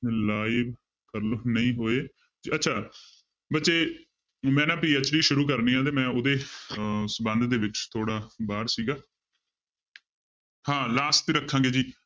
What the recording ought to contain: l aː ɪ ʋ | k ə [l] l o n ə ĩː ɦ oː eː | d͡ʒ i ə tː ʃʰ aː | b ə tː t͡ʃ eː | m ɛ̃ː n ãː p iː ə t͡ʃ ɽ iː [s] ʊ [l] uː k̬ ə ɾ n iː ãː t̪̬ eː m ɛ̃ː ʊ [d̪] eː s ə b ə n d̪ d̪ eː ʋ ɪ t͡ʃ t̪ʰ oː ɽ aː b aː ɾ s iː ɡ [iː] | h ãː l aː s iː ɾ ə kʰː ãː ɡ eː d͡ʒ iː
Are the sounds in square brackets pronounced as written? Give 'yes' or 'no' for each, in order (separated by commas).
no, no, no, yes, no